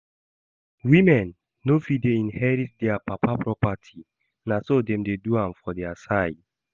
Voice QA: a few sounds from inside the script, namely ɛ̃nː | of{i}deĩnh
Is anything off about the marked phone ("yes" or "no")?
no